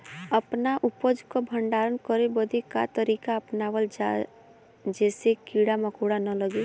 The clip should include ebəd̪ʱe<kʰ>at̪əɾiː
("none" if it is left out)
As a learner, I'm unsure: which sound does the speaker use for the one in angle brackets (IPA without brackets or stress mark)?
k